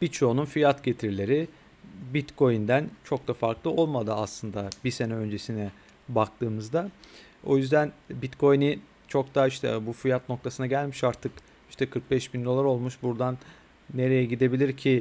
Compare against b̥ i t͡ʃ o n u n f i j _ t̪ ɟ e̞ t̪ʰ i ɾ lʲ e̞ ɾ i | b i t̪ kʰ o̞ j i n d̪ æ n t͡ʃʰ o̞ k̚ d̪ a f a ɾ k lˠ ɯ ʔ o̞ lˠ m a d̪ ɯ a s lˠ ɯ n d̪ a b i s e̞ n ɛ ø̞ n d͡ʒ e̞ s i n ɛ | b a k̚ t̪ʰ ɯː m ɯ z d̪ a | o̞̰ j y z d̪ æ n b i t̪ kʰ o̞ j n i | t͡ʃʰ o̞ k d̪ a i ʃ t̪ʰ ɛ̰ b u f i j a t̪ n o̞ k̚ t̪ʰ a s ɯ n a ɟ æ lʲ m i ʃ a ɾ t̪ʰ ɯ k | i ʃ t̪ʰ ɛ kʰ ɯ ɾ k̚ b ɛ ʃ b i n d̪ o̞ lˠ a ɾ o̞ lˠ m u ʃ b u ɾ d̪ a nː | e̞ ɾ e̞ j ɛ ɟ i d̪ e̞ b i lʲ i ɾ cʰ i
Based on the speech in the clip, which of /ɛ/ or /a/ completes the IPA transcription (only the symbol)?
a